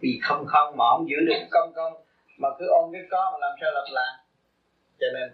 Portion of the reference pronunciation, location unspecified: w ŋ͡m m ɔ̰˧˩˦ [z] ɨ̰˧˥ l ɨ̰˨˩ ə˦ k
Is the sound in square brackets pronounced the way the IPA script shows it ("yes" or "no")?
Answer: yes